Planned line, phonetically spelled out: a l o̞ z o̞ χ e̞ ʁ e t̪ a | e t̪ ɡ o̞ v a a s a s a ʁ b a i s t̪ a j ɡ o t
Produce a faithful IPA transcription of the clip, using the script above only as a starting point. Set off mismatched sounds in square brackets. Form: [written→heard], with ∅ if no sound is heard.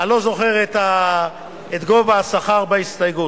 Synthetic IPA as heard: a l o̞ z o̞ χ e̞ ʁ e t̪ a | e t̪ ɡ o̞ v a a s a [s→χ] a ʁ b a i s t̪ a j ɡ [o→u] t